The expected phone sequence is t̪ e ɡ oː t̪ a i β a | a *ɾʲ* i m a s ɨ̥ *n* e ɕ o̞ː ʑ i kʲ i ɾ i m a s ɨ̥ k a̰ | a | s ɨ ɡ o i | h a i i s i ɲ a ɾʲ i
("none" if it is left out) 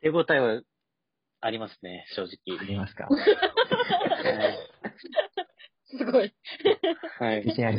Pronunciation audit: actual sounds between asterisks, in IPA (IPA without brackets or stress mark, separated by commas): ɾʲ, n